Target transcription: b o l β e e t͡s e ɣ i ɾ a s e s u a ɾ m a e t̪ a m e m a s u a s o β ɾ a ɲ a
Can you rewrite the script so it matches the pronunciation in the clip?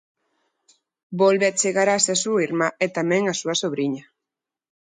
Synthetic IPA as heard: b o l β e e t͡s e ɣ a ɾ a s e s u i ɾ m a e t̪ a m e ŋ a s u a s o β ɾ i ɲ a